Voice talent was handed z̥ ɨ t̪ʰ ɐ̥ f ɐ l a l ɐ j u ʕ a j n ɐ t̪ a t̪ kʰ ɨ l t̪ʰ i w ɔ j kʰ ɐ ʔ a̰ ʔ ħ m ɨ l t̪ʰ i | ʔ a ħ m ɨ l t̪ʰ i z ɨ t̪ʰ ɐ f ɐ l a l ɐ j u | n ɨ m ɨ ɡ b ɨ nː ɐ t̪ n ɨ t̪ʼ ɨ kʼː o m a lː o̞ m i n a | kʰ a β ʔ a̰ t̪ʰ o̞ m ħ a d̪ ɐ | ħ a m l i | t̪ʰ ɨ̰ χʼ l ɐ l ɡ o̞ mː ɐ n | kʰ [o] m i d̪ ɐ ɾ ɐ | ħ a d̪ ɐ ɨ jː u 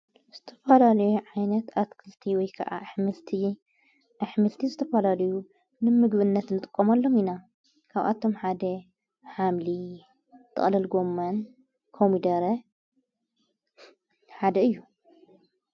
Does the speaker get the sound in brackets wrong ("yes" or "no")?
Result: no